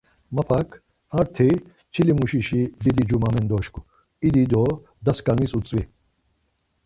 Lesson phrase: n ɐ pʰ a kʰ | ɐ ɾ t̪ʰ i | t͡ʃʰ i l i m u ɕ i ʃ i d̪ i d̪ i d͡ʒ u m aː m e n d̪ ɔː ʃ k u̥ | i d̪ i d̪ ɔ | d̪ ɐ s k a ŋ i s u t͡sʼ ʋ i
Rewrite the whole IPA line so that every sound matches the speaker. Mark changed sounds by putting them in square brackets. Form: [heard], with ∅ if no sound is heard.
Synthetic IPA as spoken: [m] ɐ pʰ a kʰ | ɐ ɾ t̪ʰ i | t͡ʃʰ i l i m u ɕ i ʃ i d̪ i d̪ i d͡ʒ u m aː m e n d̪ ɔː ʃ k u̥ | i d̪ i d̪ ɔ | d̪ ɐ s k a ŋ i s u t͡sʼ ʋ i